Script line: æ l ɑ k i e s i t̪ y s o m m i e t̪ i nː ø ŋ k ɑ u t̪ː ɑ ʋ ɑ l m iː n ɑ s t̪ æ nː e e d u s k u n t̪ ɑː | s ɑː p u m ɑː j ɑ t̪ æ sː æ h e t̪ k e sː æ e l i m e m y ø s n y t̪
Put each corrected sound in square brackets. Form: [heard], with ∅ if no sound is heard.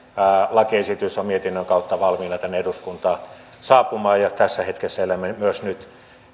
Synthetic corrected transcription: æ l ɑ k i e s i t̪ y s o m m i e t̪ i nː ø ŋ k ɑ u t̪ː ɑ ʋ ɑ l m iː n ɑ [∅] t̪ æ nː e e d u s k u n t̪ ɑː | s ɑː p u m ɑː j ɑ t̪ æ sː æ h e t̪ k e sː æ e l [æ] m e m y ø s n y t̪